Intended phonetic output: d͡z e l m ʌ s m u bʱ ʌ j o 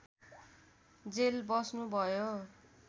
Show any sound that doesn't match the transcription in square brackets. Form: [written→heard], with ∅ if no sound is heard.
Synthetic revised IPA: d͡z e l [m→b] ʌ s [m→n] u bʱ ʌ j o